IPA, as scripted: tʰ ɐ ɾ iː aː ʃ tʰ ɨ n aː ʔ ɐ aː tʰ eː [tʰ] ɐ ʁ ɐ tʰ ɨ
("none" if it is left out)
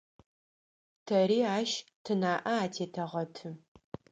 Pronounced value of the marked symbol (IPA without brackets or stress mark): tʰ